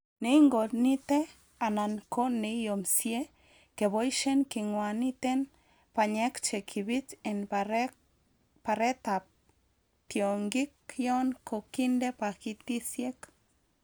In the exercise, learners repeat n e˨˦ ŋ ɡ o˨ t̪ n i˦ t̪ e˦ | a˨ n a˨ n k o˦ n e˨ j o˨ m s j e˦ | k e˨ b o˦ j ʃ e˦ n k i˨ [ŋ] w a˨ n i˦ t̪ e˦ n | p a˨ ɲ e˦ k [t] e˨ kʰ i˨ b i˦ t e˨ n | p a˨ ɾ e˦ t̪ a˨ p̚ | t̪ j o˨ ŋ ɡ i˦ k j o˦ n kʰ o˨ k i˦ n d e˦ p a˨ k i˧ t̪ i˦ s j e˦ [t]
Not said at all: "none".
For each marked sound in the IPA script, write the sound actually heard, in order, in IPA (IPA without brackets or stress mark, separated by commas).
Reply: ŋ, t͡ʃ, k